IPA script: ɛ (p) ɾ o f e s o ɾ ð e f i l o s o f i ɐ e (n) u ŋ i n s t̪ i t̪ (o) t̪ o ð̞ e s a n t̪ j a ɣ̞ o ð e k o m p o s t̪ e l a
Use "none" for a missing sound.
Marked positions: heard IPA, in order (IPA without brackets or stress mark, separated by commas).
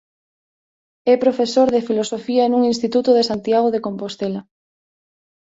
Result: p, n, u